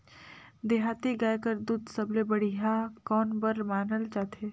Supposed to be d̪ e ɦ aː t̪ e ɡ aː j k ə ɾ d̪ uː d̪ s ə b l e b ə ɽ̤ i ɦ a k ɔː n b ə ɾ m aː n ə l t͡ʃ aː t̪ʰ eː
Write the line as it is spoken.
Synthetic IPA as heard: d̪ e ɦ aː t̪ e ɡ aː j k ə ɾ d̪ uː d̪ s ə b l e b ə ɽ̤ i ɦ a k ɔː n b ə ɾ m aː n ə l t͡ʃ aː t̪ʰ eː